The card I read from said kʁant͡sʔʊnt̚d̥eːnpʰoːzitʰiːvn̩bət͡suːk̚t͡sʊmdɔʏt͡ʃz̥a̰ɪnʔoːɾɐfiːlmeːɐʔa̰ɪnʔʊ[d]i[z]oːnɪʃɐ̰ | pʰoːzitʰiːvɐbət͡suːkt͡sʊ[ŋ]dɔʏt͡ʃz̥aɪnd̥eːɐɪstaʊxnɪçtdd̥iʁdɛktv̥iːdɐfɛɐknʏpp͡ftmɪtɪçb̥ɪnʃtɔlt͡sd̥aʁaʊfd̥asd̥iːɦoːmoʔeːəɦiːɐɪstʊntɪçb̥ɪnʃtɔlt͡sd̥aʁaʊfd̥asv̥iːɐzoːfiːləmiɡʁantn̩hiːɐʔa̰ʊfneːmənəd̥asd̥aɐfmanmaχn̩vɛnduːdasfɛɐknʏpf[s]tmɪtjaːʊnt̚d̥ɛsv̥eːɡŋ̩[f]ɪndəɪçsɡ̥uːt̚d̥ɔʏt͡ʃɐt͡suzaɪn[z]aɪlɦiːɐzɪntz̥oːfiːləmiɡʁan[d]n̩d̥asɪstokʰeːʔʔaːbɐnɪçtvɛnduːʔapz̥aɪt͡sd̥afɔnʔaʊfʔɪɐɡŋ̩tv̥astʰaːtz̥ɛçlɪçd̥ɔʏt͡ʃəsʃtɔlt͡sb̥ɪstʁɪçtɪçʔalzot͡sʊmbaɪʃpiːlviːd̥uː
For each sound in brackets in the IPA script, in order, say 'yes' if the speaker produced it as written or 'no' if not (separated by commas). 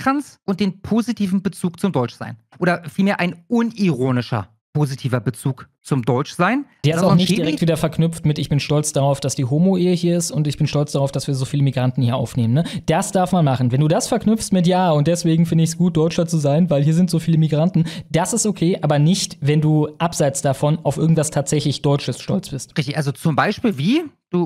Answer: no, no, no, yes, yes, no, no